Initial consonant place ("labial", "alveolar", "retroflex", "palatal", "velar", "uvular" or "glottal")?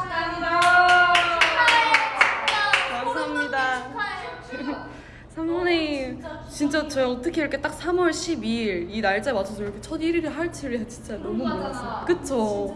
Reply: velar